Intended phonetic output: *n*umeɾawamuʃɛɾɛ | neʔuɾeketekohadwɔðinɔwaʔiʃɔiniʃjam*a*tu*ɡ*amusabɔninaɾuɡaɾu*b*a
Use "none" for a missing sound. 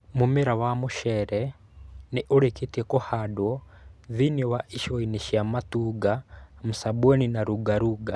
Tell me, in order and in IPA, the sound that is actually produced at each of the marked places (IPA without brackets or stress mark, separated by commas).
m, a, ɡ, ɡ